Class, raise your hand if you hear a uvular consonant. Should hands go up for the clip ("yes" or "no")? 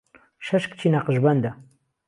yes